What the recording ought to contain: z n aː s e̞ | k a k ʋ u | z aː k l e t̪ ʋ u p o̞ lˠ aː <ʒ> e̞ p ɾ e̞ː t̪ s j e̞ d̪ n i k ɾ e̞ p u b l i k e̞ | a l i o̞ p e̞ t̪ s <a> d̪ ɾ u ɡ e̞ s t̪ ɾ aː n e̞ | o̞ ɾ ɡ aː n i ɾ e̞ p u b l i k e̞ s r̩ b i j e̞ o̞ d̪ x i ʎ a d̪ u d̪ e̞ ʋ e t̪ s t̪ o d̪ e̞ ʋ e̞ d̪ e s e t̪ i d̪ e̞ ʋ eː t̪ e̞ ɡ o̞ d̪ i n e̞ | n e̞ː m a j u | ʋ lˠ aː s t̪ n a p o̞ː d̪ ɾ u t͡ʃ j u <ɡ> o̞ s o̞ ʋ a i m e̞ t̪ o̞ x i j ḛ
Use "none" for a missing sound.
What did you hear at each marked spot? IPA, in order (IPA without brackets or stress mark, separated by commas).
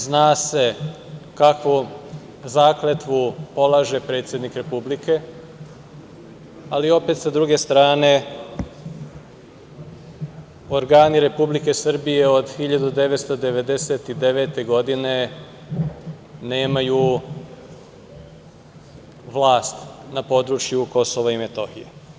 ʒ, a, k